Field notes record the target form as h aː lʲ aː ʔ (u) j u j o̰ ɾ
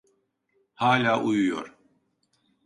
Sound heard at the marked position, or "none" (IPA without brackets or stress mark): u